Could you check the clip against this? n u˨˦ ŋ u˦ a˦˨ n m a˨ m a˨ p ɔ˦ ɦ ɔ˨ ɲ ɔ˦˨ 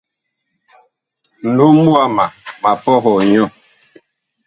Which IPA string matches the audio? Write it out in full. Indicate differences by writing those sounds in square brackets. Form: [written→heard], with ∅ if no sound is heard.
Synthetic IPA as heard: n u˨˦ [ŋ→m] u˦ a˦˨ [n→∅] m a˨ m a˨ p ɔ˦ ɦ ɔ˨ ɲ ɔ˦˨